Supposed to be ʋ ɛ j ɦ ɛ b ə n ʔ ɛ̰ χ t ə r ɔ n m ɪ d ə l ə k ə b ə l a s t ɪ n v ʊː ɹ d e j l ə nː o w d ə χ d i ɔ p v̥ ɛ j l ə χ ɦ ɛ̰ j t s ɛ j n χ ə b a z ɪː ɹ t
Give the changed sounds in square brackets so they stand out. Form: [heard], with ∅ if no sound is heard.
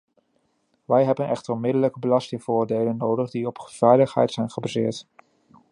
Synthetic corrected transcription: ʋ ɛ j ɦ ɛ b ə n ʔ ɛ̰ χ t ə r ɔ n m ɪ d ə l ə k ə b ə l [ɑ] s t ɪ [ŋ] v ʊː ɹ d e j l ə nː o w d ə χ d i ɔ p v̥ ɛ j l ə χ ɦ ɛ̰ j t s ɛ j n χ ə b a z ɪː ɹ t